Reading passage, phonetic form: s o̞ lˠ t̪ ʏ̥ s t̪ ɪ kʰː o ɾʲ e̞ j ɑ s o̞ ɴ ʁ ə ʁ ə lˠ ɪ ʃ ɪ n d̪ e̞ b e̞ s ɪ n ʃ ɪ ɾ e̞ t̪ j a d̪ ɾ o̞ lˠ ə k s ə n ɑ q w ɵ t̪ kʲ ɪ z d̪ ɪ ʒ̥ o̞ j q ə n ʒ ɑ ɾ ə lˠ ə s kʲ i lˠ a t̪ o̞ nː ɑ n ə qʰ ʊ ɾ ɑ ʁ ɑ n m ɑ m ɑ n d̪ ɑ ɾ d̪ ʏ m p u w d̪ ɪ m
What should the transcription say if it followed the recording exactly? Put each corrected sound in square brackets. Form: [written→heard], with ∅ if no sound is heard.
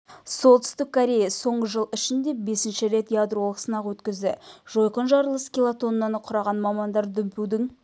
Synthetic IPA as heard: s o̞ lˠ t̪ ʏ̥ s t̪ ɪ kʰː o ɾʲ e̞ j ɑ s o̞ ɴ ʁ ə [ʁ→ʒ] ə lˠ ɪ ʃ ɪ n d̪ e̞ b e̞ s ɪ n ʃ ɪ ɾ e̞ t̪ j a d̪ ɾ o̞ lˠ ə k s ə n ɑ q w ɵ t̪ kʲ ɪ z d̪ ɪ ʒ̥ o̞ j q ə n ʒ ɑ ɾ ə lˠ ə s kʲ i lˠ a t̪ o̞ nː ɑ n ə qʰ ʊ ɾ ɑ ʁ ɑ n m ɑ m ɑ n d̪ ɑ ɾ d̪ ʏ m p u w d̪ ɪ [m→ŋ]